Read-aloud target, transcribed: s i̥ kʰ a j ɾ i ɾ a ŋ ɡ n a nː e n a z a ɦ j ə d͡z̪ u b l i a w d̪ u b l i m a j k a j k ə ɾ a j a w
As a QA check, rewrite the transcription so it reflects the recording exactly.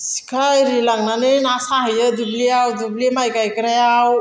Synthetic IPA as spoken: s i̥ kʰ a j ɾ i l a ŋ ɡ n a n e n a s a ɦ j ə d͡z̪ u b l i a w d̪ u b l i m a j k a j k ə ɾ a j a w